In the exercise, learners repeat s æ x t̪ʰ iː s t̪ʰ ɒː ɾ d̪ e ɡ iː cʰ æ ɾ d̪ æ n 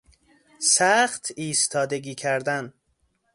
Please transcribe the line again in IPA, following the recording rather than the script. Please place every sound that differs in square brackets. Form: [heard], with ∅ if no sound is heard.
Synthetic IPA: s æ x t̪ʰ iː s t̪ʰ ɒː [∅] d̪ e ɡ iː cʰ æ ɾ d̪ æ n